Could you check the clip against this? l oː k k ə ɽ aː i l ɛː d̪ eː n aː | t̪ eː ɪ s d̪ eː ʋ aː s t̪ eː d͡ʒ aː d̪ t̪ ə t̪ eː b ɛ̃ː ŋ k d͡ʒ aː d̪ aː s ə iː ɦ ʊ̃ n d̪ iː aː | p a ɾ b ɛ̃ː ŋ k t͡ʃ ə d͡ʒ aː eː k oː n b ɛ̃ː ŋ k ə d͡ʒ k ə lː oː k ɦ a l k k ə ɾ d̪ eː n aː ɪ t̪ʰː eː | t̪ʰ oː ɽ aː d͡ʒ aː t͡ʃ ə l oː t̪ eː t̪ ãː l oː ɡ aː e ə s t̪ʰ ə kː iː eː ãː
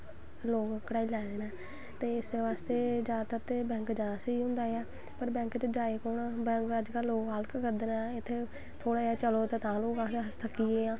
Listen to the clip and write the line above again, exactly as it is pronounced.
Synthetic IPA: l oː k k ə ɽ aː i l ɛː d̪ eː n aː | t̪ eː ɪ s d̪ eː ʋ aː s t̪ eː d͡ʒ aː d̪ t̪ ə t̪ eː b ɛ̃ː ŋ k d͡ʒ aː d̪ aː s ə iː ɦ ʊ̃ n d̪ aː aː | p ə ɾ b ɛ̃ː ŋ k t͡ʃ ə d͡ʒ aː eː k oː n b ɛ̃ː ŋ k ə d͡ʒ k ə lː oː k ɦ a l k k ə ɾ d̪ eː n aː ɪ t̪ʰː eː | t̪ʰ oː ɽ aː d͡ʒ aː t͡ʃ ə l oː t̪ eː t̪ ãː l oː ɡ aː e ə s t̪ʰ ə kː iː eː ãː